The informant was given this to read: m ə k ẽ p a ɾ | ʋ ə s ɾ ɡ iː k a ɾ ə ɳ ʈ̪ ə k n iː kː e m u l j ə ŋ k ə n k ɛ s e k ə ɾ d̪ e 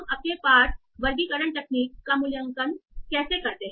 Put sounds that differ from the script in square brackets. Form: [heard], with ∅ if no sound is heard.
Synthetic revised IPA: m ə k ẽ p a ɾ | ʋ ə [∅] ɾ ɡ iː k [ə] ɾ ə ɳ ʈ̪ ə k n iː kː [a] m u l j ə ŋ k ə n k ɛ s e k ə ɾ [t̪] e